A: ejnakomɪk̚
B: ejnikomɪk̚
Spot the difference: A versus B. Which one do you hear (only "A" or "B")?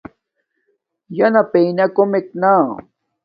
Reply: A